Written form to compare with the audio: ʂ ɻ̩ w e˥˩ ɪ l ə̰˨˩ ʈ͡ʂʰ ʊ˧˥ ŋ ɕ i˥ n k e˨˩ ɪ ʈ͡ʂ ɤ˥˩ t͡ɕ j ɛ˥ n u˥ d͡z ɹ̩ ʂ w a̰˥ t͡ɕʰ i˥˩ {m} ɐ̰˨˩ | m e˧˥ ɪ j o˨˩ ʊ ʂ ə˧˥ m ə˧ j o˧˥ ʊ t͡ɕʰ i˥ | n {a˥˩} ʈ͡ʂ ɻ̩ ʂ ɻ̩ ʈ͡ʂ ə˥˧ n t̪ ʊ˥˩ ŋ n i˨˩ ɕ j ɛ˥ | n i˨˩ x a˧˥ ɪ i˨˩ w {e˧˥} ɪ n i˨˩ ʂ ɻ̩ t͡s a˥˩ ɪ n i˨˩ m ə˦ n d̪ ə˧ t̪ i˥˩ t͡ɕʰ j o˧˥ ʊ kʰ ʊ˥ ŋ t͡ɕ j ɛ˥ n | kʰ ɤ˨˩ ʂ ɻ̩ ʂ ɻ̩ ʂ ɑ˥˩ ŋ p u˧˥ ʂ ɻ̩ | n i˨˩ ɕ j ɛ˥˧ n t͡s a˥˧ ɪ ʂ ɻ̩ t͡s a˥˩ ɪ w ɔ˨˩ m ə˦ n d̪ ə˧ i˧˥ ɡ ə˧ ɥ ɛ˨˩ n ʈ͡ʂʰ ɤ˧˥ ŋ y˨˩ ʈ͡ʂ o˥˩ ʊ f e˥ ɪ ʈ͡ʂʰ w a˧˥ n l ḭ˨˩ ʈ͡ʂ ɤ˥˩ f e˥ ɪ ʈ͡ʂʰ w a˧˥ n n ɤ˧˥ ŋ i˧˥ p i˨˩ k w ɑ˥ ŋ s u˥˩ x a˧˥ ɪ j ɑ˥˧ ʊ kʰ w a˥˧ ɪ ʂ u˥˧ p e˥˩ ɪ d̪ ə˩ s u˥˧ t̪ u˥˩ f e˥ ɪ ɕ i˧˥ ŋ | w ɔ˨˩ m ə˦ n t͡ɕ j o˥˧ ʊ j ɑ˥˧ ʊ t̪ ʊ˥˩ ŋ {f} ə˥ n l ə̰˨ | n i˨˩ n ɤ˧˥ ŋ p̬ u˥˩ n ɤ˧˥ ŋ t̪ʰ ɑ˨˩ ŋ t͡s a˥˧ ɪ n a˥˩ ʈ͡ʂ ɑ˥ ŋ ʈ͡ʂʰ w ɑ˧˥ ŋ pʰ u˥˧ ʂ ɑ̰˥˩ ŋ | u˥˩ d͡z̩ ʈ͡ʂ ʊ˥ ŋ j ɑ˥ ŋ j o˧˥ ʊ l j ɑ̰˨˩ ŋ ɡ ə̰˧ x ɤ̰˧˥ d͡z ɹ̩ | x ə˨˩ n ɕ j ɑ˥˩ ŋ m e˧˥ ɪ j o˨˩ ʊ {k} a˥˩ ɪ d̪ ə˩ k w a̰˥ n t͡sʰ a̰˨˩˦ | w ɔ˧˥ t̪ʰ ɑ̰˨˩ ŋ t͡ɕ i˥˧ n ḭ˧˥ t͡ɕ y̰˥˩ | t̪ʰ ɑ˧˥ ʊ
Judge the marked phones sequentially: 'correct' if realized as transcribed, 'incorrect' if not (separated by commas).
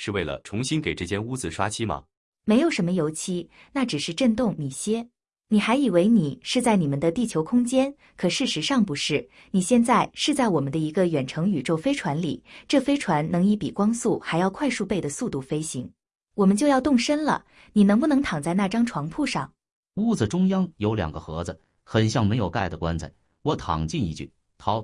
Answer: correct, correct, correct, incorrect, correct